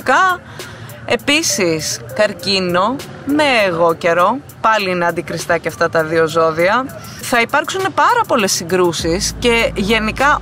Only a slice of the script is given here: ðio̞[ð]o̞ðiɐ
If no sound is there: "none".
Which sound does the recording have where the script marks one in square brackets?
z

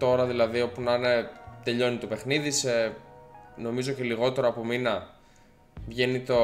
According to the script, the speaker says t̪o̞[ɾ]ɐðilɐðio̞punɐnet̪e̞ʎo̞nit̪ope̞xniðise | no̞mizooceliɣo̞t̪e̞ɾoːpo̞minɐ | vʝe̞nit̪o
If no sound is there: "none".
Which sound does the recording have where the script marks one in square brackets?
ɾ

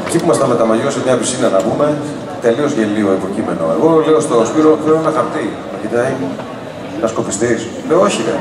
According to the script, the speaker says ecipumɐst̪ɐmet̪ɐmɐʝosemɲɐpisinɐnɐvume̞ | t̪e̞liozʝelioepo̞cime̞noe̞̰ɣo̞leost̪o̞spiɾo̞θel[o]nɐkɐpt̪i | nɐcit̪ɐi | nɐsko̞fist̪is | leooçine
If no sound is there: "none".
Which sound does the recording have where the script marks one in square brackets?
o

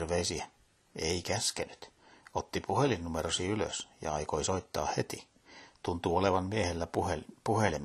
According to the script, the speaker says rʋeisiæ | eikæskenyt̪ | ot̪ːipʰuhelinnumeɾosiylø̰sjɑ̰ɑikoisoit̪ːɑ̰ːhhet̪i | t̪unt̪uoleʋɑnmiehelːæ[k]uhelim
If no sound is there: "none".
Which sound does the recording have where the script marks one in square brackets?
p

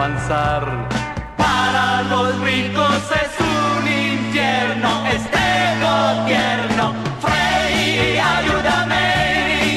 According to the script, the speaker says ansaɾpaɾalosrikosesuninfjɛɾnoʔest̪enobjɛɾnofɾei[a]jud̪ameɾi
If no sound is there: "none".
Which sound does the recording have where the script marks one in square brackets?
a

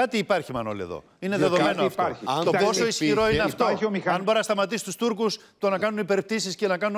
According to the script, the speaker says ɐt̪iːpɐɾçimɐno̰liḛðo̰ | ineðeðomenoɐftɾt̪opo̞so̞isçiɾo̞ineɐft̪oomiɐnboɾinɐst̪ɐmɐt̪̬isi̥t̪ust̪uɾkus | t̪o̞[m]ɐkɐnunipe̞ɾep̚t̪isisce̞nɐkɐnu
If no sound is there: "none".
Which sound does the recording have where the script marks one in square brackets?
n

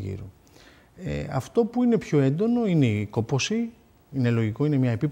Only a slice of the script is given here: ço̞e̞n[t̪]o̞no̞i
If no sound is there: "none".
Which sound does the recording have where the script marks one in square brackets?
d̪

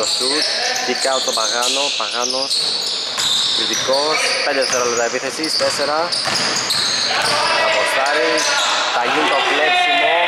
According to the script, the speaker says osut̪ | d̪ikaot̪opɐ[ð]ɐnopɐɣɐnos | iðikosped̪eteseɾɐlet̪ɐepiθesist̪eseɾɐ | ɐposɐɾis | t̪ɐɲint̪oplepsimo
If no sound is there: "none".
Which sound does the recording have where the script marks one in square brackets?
ɣ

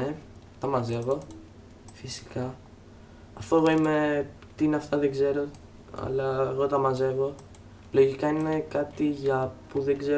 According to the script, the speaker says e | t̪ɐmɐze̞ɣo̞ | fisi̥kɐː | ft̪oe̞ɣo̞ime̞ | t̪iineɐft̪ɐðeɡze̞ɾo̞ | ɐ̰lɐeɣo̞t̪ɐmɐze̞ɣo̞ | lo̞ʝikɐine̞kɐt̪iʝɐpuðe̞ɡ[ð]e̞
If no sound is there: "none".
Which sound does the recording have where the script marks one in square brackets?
z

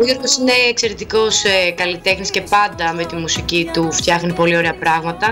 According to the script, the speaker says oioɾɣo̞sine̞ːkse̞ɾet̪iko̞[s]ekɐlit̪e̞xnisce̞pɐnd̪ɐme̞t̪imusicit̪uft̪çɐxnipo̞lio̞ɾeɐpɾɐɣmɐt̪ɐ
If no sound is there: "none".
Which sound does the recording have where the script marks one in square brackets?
s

